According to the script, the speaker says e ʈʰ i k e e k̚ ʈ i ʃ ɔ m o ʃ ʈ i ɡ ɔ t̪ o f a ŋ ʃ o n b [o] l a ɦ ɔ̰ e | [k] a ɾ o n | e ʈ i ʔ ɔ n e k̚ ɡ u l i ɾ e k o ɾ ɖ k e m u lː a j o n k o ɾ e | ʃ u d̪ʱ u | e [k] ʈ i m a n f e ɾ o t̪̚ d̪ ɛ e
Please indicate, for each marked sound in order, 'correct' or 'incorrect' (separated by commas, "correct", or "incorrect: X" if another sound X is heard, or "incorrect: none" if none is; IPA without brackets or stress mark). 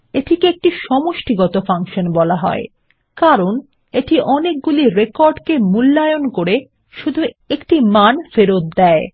incorrect: ɔ, correct, correct